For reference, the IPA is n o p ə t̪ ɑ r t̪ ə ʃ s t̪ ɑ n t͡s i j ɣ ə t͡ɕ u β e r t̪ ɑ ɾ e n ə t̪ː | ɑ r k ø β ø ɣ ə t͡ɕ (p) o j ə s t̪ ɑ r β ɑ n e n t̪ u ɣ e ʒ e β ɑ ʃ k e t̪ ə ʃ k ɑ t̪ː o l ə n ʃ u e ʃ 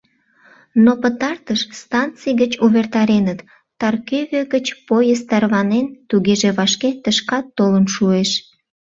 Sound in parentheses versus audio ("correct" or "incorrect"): correct